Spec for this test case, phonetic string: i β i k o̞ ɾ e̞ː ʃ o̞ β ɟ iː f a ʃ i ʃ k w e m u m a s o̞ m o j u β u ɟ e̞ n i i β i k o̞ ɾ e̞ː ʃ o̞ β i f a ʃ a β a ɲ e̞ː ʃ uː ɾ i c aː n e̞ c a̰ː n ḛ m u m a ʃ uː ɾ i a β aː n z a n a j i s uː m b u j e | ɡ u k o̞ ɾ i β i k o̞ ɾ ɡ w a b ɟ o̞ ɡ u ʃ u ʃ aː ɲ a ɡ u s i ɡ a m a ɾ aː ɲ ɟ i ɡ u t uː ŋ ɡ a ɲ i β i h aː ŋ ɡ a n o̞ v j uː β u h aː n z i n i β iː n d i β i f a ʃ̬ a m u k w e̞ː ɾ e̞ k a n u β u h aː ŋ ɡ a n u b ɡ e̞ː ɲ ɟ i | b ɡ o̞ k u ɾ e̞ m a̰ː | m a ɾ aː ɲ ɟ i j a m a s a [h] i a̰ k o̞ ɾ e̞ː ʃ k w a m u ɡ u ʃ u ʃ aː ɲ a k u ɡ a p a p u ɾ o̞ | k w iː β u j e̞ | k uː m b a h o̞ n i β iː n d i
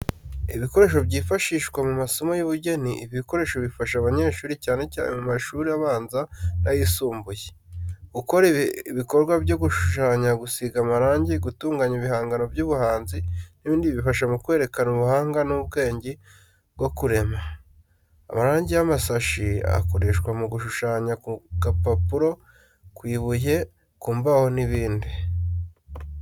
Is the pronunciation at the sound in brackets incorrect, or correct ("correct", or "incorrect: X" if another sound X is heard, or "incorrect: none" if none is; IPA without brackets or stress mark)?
incorrect: ʃ